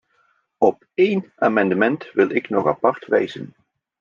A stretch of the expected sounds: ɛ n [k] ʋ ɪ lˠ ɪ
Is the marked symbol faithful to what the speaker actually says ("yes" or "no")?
no